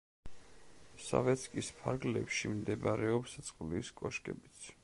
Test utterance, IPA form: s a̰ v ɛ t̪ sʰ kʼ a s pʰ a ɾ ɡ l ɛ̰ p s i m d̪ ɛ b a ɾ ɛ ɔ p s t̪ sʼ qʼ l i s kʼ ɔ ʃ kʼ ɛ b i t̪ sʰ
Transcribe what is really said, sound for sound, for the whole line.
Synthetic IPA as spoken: s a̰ v ɛ t̪ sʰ kʼ i s pʰ a ɾ ɡ l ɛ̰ p ʃ i m d̪ ɛ b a ɾ ɛ ɔ p s t̪ sʼ qʼ l i s kʼ ɔ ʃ kʼ ɛ b i t̪ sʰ